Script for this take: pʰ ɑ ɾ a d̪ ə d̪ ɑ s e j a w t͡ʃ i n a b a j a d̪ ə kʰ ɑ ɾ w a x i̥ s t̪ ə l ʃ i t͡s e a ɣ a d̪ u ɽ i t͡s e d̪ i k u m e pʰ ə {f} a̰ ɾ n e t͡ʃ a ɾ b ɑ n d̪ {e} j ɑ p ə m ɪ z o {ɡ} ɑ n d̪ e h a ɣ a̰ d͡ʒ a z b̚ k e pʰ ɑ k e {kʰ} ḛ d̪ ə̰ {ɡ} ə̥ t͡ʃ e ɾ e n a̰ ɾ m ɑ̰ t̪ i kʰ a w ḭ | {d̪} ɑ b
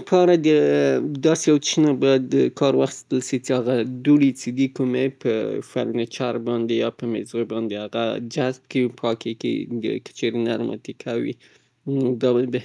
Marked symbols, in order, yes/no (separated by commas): yes, yes, no, no, no, yes